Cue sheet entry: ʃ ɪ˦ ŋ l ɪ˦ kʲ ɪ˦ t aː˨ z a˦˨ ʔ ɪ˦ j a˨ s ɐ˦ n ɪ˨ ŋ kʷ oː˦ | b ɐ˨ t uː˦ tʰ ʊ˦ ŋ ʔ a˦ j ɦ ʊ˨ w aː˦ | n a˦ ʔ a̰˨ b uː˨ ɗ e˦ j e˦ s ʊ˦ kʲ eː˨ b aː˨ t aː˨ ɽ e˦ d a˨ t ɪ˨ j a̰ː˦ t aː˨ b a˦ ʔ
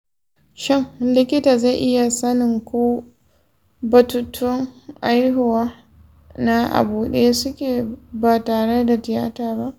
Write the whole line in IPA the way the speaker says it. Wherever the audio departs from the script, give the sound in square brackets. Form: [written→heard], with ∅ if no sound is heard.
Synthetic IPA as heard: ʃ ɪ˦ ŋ l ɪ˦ kʲ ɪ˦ t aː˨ z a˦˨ ʔ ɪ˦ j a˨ s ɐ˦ n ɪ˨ ŋ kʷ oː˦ | b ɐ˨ t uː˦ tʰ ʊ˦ ŋ ʔ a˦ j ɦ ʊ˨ w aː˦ | n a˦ ʔ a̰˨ b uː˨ ɗ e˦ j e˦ s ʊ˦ kʲ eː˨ b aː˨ t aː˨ ɽ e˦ d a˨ t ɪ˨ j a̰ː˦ t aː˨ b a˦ ʔ